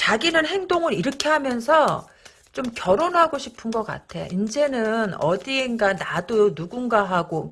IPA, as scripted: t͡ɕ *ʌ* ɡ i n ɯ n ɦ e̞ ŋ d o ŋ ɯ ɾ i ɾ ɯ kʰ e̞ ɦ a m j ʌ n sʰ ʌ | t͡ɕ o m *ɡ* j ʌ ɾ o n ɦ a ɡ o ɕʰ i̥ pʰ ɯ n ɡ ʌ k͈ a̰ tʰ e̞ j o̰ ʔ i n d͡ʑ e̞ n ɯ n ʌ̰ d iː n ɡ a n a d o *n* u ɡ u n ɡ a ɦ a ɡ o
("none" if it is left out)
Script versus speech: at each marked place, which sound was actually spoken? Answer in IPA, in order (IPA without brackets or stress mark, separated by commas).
a, k, n